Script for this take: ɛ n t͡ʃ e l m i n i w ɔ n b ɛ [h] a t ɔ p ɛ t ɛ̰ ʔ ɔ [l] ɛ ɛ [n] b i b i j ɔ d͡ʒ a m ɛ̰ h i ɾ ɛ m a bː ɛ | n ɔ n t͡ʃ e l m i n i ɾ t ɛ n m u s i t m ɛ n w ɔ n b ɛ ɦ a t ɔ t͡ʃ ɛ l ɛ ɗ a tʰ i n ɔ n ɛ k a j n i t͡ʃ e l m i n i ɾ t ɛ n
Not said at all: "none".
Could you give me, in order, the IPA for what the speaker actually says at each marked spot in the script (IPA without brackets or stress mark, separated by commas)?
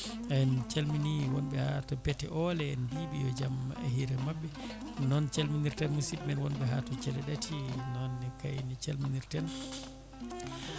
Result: h, l, n